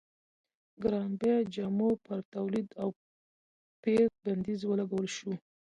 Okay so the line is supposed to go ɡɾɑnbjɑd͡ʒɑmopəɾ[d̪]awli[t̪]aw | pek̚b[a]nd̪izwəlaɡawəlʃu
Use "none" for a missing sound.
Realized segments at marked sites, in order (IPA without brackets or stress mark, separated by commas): t̪, d̪, a